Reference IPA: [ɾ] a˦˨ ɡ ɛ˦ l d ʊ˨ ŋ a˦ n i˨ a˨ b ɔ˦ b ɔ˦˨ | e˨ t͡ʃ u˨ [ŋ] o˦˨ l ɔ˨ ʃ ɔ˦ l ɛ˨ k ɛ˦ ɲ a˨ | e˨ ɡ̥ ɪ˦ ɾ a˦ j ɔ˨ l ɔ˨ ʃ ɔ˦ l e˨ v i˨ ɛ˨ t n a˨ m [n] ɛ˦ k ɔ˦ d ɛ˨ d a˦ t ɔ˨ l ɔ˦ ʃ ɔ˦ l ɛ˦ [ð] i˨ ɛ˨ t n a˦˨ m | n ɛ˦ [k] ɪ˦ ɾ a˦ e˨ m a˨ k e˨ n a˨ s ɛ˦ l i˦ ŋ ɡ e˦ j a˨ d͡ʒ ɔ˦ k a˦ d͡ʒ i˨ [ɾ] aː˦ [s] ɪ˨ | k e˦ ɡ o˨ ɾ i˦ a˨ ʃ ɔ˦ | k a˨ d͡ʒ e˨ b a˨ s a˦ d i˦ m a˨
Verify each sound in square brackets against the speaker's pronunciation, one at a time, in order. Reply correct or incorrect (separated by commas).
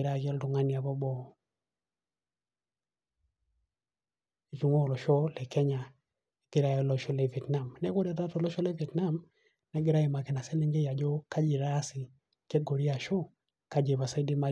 correct, correct, correct, incorrect, incorrect, correct, correct